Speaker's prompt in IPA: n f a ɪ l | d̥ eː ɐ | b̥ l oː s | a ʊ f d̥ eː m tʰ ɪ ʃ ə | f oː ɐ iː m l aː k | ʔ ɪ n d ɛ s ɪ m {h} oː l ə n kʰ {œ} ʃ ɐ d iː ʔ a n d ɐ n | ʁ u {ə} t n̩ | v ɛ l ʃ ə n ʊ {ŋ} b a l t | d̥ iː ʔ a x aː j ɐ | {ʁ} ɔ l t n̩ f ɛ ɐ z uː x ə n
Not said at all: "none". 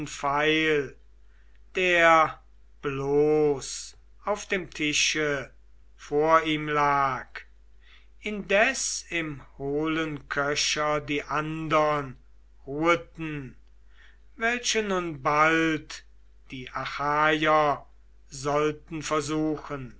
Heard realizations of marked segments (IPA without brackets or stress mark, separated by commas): h, œ, ə, n, z